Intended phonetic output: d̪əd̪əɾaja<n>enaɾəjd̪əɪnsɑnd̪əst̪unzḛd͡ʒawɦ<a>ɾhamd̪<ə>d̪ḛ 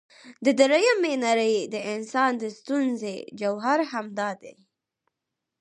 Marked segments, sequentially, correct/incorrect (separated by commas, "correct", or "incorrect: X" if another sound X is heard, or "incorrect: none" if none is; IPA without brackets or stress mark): incorrect: m, correct, incorrect: ɑ